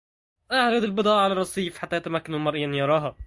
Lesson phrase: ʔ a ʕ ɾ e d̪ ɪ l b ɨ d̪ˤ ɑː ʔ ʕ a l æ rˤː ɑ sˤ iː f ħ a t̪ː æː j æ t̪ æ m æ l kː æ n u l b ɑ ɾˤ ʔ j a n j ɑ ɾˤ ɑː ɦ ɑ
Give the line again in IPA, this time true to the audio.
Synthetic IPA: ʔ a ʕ ɾ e d̪ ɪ l b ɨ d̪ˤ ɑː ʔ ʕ a l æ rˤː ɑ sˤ iː f ħ a t̪ː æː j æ t̪ æ m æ kː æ n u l m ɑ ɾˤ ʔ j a n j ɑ ɾˤ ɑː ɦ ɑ